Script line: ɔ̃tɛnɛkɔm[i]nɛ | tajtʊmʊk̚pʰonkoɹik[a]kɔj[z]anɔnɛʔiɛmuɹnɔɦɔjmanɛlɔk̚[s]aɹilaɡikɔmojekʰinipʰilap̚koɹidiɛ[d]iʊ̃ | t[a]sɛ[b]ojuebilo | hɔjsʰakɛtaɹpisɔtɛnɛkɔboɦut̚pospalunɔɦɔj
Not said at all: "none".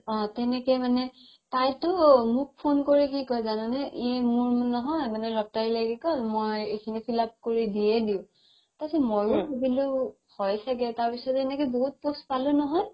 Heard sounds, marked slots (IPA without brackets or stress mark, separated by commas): a, i, z, t, d, a, m